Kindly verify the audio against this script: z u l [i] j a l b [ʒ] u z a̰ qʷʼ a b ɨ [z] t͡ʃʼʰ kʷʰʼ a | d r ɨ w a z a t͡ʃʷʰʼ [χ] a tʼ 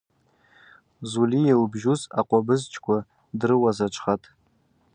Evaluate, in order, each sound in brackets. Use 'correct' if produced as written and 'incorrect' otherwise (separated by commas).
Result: correct, correct, correct, correct